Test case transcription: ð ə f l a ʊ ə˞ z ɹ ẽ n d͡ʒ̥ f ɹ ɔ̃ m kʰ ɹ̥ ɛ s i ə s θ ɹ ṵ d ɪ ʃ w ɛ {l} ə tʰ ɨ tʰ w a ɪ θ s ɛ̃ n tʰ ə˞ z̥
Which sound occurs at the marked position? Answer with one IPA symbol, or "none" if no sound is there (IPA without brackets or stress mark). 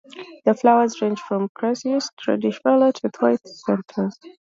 l